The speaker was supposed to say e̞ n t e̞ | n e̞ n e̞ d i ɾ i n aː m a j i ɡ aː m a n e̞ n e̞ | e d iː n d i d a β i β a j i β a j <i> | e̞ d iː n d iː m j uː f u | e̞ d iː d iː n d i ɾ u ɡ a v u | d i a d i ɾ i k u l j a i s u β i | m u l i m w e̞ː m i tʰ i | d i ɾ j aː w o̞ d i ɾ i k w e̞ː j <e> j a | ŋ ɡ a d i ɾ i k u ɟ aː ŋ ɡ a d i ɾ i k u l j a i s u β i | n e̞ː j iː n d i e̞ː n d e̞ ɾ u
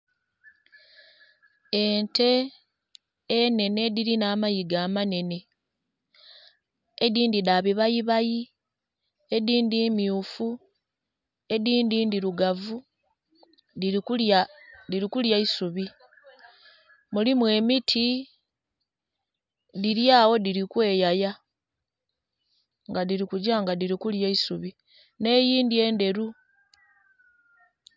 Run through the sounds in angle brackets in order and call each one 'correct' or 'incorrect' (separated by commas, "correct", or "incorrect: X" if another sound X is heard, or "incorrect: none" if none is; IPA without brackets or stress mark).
correct, incorrect: a